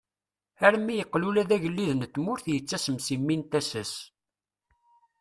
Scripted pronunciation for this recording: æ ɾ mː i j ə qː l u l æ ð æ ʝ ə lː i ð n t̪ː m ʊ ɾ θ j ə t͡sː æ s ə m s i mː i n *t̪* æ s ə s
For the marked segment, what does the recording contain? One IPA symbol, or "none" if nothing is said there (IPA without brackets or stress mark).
t̪